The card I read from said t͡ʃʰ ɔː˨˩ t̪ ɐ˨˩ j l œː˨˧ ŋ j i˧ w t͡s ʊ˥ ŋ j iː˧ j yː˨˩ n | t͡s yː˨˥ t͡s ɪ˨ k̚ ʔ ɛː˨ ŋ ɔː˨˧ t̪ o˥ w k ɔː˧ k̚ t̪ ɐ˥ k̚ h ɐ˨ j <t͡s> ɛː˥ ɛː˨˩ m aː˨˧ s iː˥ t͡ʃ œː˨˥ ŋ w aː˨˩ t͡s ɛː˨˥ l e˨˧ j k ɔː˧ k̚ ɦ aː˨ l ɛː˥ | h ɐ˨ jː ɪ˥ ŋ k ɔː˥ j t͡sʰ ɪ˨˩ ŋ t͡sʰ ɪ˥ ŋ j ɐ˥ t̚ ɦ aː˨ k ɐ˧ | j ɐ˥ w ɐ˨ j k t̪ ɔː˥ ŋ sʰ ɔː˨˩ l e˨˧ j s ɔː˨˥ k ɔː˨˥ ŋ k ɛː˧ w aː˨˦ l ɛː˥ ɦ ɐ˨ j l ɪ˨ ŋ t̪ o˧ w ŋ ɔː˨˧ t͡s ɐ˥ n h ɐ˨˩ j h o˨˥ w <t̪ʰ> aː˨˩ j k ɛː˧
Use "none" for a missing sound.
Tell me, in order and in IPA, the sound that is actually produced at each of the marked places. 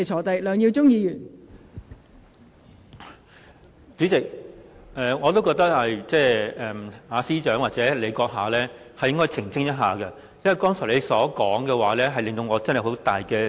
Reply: t͡s, t̪

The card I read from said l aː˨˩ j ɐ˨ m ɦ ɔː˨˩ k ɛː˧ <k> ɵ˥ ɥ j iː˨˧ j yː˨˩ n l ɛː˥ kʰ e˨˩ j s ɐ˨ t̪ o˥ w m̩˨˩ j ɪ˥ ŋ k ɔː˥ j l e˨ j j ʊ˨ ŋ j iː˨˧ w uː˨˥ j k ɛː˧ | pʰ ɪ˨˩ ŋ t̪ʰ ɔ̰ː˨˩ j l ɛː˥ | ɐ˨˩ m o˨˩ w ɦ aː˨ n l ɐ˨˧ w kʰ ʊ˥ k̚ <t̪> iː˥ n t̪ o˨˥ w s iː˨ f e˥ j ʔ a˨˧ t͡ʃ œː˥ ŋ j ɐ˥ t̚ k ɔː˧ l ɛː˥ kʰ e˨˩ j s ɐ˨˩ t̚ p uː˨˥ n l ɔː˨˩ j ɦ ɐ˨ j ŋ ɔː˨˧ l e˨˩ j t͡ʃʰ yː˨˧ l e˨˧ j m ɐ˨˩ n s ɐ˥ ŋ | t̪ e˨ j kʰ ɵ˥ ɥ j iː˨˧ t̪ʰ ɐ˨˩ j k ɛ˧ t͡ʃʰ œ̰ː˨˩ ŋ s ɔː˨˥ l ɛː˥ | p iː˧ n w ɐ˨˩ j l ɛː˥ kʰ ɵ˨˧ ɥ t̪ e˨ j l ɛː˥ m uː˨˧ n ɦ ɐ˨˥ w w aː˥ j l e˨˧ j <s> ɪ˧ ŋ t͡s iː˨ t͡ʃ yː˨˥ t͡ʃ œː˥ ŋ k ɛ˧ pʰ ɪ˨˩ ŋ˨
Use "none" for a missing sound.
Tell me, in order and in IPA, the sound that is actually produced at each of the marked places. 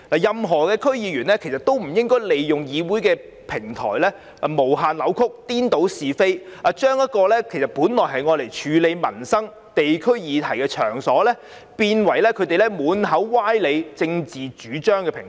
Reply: kʰ, t̪, t͡s

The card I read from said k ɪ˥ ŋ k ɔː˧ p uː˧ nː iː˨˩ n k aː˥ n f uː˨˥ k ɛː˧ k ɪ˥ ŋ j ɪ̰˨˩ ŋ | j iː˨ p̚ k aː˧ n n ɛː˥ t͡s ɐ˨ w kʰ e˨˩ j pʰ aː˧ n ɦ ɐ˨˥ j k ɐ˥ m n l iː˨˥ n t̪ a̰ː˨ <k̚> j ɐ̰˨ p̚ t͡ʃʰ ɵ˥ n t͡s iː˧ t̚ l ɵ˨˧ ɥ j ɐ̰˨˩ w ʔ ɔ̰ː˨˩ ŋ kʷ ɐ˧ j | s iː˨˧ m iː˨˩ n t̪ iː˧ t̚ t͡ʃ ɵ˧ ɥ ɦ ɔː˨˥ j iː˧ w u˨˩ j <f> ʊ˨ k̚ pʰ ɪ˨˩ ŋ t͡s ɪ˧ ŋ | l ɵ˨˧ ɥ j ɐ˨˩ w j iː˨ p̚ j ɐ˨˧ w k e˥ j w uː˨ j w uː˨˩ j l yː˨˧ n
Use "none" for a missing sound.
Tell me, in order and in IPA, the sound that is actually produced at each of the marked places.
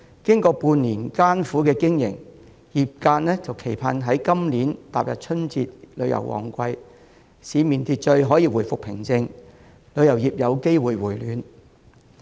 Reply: p̚, f

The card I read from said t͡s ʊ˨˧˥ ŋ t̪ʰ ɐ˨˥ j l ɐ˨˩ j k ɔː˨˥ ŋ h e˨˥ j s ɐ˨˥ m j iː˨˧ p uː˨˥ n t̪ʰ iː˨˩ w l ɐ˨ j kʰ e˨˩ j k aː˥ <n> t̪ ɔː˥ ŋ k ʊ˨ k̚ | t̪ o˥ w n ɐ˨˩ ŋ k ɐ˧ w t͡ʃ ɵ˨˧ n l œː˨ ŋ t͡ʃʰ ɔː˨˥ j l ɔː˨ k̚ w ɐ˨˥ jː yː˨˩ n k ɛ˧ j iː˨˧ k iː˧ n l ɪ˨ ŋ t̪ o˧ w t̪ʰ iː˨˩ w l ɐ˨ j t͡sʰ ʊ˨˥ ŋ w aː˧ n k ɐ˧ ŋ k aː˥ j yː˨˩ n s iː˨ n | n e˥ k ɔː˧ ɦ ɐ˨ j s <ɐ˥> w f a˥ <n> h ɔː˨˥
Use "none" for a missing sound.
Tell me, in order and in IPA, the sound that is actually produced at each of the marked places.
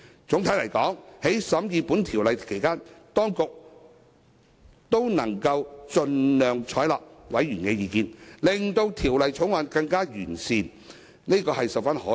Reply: n, ɐ˨, n

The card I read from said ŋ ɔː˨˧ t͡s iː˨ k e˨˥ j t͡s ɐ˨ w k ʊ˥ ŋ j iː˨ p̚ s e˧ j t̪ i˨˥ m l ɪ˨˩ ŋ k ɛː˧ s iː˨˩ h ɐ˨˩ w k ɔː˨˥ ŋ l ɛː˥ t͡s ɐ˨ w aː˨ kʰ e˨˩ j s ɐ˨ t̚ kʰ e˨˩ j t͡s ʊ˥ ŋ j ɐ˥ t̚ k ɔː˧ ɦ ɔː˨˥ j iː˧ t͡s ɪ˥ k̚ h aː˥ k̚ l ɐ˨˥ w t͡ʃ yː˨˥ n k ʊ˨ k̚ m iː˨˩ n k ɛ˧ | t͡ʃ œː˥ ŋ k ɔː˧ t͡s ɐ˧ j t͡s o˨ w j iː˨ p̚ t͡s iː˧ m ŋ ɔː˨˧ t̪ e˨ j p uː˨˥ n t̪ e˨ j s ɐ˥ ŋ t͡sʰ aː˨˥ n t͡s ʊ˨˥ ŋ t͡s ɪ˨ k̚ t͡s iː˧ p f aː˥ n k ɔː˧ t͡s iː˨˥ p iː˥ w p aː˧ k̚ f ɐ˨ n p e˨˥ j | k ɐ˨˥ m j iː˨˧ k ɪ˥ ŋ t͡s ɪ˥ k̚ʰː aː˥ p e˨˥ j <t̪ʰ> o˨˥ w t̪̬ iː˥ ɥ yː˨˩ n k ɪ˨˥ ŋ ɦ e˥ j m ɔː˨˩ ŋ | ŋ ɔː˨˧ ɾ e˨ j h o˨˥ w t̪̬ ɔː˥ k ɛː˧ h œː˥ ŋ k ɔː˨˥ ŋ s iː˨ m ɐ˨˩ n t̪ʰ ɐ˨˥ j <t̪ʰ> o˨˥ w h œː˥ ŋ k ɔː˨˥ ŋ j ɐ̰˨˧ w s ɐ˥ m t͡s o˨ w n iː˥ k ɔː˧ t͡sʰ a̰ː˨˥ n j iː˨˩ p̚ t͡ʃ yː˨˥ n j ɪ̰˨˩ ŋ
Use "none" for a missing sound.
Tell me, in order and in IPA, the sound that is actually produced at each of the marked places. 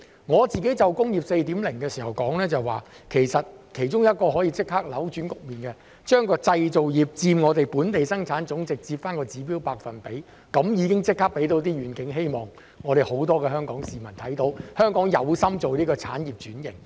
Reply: t̪, t̪

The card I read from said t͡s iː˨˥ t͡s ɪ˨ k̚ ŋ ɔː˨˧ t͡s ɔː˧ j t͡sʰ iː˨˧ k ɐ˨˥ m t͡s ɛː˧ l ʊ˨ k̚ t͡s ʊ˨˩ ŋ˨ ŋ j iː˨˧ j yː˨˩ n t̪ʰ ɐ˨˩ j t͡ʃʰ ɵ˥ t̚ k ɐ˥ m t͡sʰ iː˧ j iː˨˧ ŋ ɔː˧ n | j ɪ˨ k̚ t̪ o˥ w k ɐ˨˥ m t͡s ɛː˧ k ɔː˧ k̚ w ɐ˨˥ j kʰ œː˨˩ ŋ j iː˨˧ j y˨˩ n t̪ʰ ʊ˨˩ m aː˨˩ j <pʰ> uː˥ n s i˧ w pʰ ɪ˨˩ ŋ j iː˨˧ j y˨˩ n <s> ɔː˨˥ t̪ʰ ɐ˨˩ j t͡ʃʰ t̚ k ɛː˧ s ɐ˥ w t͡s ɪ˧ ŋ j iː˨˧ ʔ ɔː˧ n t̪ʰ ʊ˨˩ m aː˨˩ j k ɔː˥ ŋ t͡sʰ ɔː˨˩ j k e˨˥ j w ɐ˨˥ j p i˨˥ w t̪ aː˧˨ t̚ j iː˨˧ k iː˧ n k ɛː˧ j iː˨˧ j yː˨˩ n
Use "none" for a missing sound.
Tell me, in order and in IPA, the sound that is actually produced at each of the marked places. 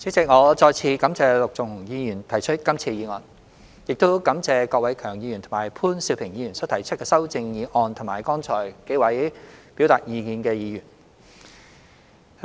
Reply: pʰ, s

